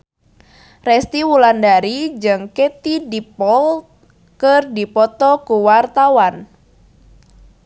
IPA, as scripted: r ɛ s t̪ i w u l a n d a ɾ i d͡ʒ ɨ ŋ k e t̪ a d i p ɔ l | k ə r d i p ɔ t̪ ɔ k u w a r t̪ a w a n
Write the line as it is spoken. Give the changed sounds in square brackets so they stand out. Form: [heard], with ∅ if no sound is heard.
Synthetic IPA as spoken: r ɛ s t̪ i w u l a n d a ɾ i d͡ʒ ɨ ŋ k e t̪ [i] d i p ɔ l | k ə r d i p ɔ t̪ ɔ k u w a r t̪ a w a n

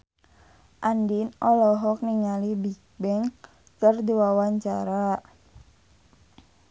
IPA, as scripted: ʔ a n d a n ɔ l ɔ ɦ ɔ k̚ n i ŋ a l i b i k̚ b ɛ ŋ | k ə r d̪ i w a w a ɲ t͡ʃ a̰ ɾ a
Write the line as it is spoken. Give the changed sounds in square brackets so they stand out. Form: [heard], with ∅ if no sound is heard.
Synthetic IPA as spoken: ʔ a n d [i] n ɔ l ɔ ɦ ɔ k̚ n i ŋ a l i b i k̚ b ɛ ŋ | k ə r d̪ i w a w a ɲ t͡ʃ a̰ ɾ a

